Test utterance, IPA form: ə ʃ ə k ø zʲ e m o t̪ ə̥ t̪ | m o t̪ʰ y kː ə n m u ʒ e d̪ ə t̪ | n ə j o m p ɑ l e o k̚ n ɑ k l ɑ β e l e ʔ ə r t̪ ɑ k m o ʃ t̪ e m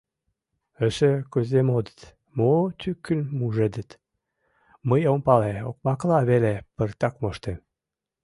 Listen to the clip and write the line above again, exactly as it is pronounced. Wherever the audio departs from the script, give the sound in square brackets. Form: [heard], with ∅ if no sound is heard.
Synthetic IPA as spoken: ə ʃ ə k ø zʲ e m o [d̪] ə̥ t̪ | m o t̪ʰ y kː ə n m u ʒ e d̪ ə t̪ | [m] ə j o m p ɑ l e o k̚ [m] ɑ k l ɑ β e l e [p] ə r t̪ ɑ k m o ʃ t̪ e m

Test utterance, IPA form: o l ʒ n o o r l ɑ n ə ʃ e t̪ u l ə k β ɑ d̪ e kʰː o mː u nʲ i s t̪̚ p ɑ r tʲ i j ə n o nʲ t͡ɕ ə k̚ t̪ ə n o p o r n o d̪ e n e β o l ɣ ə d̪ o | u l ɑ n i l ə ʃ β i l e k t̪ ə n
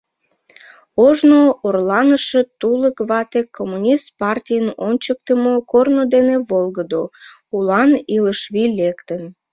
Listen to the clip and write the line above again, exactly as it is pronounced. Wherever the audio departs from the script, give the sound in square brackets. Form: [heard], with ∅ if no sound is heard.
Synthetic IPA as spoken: o [∅] ʒ n o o r l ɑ n ə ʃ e t̪ u l ə k β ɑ [t̪] e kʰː o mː u nʲ i s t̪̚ p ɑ r tʲ i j ə n o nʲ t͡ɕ ə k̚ t̪ ə [m] o [k] o r n o d̪ e n e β o l ɣ ə d̪ o | u l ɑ n i l ə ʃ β i l e k t̪ ə n

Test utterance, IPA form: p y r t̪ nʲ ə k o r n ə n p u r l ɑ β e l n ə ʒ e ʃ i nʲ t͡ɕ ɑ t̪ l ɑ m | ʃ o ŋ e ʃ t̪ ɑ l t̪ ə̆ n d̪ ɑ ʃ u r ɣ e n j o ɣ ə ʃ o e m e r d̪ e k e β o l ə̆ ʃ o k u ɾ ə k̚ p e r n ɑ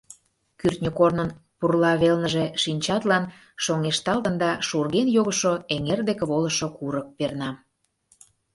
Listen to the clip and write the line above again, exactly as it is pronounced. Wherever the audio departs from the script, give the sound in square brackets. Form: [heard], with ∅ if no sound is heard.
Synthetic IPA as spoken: [k] y r t̪ nʲ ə k o r n ə n p u r l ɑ β e l n ə ʒ e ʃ i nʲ t͡ɕ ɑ t̪ l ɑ [n] | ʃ o ŋ e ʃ t̪ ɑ l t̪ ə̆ n d̪ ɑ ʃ u r ɣ e n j o ɣ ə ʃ o e [ŋ] e r d̪ e k e β o l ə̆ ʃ o k u ɾ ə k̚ p e r n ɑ

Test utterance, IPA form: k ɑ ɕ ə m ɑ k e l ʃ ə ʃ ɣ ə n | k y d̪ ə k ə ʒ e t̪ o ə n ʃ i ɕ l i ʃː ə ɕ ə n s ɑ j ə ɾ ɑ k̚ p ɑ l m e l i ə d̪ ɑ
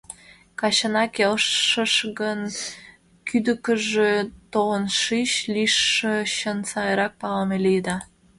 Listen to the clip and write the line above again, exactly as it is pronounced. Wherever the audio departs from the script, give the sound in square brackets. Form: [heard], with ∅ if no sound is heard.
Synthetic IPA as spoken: k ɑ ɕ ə [n] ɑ k e l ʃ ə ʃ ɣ ə n | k y d̪ ə k ə ʒ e t̪ o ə n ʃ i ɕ l i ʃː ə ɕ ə n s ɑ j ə ɾ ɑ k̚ p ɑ l m e l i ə d̪ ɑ

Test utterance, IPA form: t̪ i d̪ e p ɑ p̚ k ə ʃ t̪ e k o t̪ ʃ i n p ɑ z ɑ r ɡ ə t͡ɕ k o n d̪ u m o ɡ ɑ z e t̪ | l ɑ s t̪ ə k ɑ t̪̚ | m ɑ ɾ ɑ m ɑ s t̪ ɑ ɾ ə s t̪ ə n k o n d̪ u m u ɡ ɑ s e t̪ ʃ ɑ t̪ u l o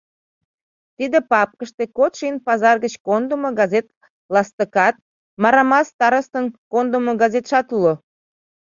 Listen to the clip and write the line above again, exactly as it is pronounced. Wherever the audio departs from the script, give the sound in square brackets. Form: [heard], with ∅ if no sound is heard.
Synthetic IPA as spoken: t̪ i d̪ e p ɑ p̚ k ə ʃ t̪ e k o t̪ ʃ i n p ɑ z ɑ r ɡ ə t͡ɕ k o n d̪ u m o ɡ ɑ z e t̪ | l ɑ s t̪ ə k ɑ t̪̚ | m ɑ ɾ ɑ m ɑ s t̪ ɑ ɾ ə s t̪ ə n k o n d̪ u m [o] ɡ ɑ [z] e t̪ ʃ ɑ t̪ u l o

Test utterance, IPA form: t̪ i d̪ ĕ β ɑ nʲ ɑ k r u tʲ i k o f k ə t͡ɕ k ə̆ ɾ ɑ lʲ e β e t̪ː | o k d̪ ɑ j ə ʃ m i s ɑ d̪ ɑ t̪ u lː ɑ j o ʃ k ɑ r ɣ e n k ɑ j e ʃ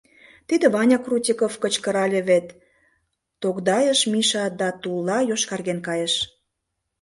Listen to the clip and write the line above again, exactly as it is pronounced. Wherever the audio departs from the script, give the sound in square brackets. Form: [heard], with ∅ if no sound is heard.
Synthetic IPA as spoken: t̪ i d̪ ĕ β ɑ nʲ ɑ k r u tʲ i k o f k ə t͡ɕ k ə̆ ɾ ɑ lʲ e β e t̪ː | o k d̪ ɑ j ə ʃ m i [ʃ] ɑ d̪ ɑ t̪ u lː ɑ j o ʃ k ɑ r ɣ e n k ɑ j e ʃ

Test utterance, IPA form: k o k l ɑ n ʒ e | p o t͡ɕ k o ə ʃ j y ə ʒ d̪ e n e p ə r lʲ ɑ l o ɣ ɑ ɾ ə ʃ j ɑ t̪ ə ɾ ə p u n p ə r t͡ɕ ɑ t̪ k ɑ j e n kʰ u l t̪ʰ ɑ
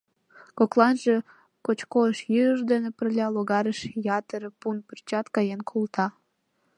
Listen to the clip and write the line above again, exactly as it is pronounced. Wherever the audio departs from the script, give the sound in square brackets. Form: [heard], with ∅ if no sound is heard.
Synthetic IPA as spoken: k o k l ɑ n ʒ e | [k] o t͡ɕ k o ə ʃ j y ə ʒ d̪ e n e p ə r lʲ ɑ l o ɣ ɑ ɾ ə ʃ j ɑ t̪ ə ɾ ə p u n p ə r t͡ɕ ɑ t̪ k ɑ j e n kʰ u l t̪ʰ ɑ

